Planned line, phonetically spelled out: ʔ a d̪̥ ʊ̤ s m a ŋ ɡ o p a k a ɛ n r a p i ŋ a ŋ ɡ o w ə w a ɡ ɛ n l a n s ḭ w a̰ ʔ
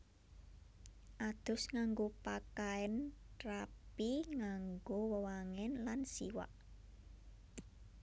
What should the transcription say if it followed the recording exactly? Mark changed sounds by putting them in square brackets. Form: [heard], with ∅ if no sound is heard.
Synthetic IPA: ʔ a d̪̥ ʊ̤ s [ŋ] a ŋ ɡ o p a k a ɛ n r a p i ŋ a ŋ ɡ o w ə w a [ŋ] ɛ n l a n s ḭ w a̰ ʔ